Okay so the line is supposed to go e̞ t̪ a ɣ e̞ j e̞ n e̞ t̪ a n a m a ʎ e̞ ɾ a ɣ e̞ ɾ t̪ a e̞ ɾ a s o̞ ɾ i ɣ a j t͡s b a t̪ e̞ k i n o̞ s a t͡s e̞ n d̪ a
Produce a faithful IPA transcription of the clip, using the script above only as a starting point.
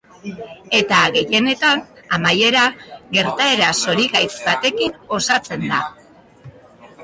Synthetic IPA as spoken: e̞ t̪ a ɣ e̞ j e̞ n e̞ t̪ a n a m a j e̞ ɾ a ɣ e̞ ɾ t̪ a e̞ ɾ a s o̞ ɾ i ɣ a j t͡s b a t̪ e̞ k i n o̞ s a t͡s e̞ n d̪ a